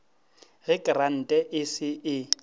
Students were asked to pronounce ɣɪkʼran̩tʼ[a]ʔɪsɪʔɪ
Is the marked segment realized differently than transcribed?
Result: yes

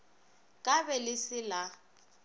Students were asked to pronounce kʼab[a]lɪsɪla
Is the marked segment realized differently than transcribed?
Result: yes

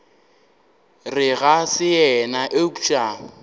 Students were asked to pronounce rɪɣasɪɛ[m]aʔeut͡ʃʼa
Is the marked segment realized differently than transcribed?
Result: yes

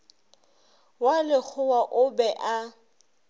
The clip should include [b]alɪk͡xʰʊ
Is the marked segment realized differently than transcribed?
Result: yes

